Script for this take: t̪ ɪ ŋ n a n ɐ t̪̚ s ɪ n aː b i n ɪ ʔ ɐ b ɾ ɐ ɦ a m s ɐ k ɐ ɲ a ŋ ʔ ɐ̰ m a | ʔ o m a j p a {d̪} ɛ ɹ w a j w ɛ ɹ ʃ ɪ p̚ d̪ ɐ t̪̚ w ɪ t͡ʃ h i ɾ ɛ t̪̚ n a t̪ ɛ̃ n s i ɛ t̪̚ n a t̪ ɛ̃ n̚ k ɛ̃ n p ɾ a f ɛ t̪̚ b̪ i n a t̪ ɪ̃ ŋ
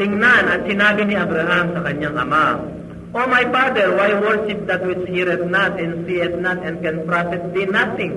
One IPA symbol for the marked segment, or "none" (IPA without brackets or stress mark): d̪